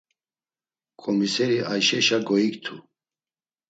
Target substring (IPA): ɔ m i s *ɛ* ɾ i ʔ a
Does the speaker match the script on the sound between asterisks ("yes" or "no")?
yes